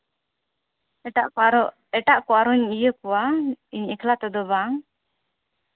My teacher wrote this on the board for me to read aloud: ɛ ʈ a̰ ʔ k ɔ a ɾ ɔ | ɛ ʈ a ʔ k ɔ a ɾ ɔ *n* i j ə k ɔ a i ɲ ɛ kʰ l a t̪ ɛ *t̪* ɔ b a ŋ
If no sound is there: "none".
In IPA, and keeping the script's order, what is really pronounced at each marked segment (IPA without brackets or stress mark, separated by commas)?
ɲ, d̪